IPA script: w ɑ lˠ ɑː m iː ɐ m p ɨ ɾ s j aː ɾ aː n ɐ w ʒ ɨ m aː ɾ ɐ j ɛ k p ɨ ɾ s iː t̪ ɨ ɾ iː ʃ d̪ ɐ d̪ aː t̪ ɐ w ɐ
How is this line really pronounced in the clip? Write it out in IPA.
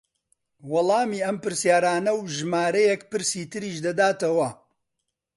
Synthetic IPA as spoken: w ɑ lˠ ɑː m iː ɐ m p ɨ ɾ s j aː ɾ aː n ɐ w ʒ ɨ m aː ɾ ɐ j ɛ k p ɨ ɾ s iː t̪ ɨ ɾ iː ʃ d̪ ɐ d̪ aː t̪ ɐ w ɐ